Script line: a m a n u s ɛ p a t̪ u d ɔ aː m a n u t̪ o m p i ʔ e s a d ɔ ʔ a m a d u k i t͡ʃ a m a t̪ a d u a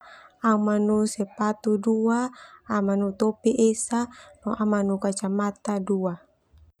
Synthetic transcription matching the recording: a m a n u s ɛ p a t̪ u d u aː m a n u t̪ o p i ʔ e s a n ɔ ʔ a m a n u k a t͡ʃ a m a t̪ a d u a

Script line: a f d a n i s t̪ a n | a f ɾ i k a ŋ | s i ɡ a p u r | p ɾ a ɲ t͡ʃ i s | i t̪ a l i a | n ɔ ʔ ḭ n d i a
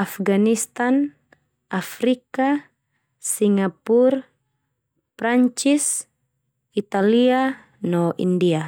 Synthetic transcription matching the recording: a f ɡ a n i s t̪ a n | a f ɾ i k a | s i ŋ a p u r | p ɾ a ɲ t͡ʃ i s | i t̪ a l i a | n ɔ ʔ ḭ n d i a

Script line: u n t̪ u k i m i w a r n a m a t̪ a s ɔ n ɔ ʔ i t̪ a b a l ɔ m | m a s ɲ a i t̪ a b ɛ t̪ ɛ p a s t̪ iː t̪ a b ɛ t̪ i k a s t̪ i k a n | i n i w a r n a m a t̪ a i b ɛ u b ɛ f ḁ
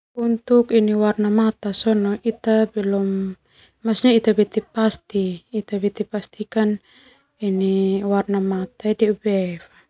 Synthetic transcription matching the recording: u n t̪ u k i n i w a r n a m a t̪ a s ɔ n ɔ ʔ i t̪ a b ɛ l ɔ m | m a s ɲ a i t̪ a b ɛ t̪ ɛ p a s t̪ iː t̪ a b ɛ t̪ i p a s t̪ i k a n | i n i w a r n a m a t̪ a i d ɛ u b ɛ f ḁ

